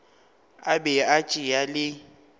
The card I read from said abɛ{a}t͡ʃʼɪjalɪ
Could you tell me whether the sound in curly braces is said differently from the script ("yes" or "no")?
no